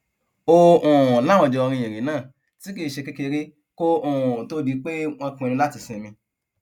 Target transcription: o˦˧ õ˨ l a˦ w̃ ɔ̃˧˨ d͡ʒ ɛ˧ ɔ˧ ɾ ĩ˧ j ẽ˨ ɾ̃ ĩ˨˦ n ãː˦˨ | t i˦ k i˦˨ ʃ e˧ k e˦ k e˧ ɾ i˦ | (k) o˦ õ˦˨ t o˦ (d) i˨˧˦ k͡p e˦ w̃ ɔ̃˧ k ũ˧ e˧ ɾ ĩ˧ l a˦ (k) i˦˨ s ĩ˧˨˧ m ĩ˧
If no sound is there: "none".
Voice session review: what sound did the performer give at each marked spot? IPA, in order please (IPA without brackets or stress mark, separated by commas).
k, d, t